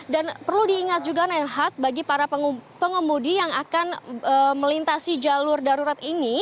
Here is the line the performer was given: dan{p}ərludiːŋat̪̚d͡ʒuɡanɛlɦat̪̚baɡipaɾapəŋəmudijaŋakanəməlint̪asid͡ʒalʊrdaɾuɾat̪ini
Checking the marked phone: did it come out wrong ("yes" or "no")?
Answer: no